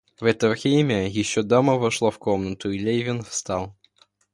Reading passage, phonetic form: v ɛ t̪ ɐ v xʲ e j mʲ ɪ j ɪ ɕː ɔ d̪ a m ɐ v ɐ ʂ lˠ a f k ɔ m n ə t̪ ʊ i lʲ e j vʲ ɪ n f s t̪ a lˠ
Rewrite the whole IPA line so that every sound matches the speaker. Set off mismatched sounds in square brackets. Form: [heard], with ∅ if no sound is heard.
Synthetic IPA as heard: v ɛ t̪ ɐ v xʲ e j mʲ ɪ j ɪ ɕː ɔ d̪ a m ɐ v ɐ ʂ lˠ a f k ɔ m n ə t̪ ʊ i lʲ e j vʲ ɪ n f s t̪ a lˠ